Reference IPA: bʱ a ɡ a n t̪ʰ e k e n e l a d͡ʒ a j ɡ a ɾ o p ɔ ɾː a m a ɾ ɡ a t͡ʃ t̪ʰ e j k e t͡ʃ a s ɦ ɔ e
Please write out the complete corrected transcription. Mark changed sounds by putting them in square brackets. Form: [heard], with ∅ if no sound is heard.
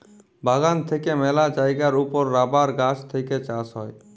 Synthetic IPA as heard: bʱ a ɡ a n t̪ʰ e k e [m] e l a d͡ʒ a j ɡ a ɾ [u] p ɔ ɾː a [b] a ɾ ɡ a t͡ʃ t̪ʰ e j k e t͡ʃ a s ɦ ɔ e

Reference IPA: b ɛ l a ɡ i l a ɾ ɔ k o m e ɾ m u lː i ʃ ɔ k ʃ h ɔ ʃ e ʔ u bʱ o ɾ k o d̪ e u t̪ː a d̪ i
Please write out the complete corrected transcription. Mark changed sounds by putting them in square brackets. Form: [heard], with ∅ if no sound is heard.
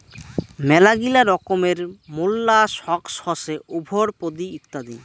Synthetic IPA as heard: [m] ɛ l a ɡ i l a ɾ ɔ k o m e ɾ m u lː [a] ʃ ɔ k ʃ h ɔ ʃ e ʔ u bʱ o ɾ [p] o d̪ [i] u t̪ː a d̪ i

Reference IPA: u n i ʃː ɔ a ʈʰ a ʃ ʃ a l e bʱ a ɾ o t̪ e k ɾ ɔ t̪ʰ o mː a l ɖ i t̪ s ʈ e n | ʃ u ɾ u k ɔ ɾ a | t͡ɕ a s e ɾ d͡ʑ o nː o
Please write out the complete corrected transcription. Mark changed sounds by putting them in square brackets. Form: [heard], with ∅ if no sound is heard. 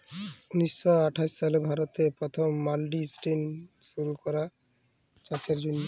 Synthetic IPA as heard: u n i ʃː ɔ a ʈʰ a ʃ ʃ a l e bʱ a ɾ o t̪ e [p] ɾ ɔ t̪ʰ o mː a l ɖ i [∅] s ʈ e n | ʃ u ɾ u k ɔ ɾ a | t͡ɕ a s e ɾ d͡ʑ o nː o

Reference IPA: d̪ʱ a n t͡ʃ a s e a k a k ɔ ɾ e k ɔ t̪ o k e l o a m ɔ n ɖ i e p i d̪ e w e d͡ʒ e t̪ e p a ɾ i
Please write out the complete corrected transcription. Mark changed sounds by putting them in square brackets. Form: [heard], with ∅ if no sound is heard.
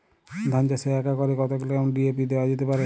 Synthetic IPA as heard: d̪ʱ a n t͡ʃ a s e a k a k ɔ ɾ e k ɔ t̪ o k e l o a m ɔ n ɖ i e p i d̪ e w [a] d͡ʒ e t̪ e p a ɾ [e]

